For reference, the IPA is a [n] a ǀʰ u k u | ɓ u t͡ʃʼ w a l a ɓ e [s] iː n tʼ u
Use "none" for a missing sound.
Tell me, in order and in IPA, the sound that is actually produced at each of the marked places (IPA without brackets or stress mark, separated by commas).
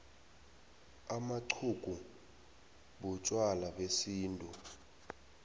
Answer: m, s